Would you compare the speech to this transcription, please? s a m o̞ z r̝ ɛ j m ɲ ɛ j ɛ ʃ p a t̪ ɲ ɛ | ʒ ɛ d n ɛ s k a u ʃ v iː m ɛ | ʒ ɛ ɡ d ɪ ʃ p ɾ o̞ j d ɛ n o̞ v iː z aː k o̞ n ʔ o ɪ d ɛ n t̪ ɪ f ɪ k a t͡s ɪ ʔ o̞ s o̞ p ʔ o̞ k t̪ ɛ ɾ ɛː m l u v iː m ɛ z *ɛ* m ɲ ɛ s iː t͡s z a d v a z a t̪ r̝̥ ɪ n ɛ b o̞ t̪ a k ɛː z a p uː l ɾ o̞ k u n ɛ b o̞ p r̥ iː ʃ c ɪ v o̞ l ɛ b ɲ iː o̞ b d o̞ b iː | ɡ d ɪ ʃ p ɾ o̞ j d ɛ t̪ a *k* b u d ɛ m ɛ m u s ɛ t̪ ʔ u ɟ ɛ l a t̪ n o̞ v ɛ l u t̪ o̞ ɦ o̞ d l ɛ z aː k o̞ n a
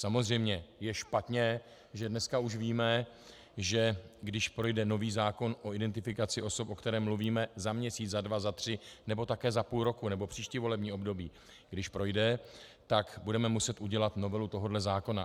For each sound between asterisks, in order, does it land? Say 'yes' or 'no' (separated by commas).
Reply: no, yes